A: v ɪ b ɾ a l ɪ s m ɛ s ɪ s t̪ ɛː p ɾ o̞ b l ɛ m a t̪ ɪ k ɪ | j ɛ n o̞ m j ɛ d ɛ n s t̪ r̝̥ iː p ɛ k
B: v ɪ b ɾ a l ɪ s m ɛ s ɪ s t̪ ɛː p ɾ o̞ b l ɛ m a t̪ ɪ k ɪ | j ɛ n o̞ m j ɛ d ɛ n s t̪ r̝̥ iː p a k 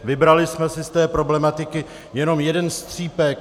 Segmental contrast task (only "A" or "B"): A